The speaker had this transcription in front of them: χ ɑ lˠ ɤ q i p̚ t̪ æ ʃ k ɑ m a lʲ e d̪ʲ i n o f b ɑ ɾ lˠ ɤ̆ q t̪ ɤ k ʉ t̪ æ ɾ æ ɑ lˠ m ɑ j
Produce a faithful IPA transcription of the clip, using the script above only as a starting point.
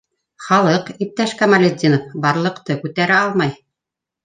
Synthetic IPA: χ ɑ lˠ ɤ q i p̚ t̪ æ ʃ k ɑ m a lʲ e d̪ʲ i n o f b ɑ ɾ lˠ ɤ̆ q t̪ ɤ k ʉ t̪ æ ɾ æ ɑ lˠ m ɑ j